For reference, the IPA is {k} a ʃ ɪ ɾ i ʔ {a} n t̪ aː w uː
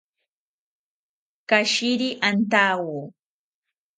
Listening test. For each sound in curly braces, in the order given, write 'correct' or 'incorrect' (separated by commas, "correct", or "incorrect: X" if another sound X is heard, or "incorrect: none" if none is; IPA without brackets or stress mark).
correct, correct